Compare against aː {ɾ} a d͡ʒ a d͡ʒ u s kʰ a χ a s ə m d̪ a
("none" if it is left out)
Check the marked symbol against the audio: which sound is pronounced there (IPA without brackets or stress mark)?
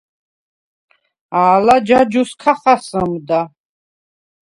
l